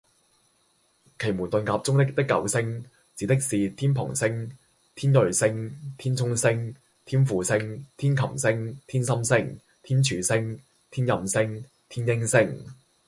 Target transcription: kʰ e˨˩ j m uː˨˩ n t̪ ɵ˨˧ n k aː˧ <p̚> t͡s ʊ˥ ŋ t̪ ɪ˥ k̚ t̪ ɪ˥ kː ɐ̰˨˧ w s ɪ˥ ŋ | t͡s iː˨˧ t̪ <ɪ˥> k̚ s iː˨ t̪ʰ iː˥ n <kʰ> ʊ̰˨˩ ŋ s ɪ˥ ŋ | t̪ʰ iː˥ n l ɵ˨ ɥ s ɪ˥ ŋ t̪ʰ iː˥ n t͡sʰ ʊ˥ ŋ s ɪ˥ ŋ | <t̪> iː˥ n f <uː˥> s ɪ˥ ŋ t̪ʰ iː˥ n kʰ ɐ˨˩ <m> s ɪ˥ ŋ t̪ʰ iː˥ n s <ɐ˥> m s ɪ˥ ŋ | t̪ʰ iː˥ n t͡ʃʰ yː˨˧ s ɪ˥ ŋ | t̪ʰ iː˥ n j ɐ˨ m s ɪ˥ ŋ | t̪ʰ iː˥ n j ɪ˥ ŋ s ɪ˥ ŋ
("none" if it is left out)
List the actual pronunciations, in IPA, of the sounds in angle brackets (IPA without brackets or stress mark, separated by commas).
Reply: p̚, ɪ˥, pʰ, t̪ʰ, uː˨˧, m, ɐ˥